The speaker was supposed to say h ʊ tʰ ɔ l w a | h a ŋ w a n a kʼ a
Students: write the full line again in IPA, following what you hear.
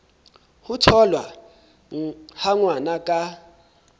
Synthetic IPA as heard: h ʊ tʰ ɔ l w a | h a ŋ w a n a kʼ a